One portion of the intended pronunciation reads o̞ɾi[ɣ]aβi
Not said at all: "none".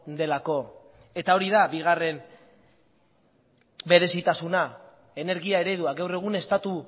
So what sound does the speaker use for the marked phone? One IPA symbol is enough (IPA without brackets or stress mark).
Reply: ð